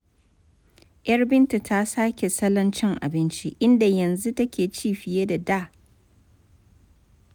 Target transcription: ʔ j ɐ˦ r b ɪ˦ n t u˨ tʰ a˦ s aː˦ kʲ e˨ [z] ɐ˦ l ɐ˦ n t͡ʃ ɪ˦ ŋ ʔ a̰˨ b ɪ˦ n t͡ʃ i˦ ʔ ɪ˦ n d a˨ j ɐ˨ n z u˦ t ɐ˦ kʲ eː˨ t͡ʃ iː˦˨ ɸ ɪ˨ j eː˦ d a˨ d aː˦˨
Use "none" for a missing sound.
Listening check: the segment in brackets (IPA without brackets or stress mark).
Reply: s